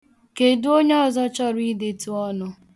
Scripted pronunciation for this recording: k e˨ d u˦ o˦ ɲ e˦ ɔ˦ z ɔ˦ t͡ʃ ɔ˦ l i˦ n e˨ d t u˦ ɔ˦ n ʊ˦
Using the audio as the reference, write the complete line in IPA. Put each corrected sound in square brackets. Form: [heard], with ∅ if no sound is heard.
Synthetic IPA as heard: k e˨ d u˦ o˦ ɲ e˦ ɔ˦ z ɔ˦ t͡ʃ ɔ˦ [ɾ] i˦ [d] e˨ [∅] t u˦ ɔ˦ n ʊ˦